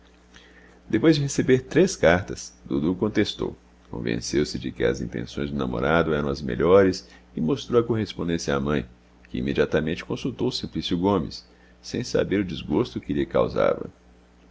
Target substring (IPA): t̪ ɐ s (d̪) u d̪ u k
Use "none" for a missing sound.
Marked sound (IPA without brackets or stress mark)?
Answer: d̪